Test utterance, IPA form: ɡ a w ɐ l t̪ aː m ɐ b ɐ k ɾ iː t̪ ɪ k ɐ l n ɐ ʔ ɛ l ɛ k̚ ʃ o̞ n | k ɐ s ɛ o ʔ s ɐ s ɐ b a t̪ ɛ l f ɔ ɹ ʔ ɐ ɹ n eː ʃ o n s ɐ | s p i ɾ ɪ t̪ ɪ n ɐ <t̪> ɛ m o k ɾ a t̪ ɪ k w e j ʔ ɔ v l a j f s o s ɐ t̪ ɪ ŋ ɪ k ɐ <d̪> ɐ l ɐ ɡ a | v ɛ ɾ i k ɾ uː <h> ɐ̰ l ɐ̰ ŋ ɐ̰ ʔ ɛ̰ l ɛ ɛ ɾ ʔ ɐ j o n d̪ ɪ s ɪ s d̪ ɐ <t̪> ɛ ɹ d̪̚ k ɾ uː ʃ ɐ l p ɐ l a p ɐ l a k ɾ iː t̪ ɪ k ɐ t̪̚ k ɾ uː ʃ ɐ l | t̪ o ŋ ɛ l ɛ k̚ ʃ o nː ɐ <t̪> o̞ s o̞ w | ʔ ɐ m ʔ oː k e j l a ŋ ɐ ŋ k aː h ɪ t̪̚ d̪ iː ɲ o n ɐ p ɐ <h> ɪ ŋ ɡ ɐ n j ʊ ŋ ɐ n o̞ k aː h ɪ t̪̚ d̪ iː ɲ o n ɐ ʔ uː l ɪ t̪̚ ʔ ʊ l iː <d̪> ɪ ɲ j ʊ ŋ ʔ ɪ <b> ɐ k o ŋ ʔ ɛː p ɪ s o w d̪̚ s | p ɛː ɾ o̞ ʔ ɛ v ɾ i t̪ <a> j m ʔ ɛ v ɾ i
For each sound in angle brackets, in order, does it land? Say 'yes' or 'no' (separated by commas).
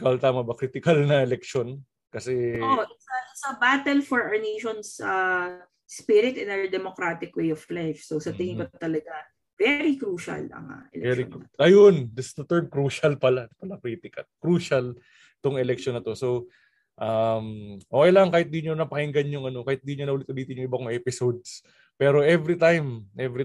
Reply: no, no, no, yes, yes, yes, no, yes, yes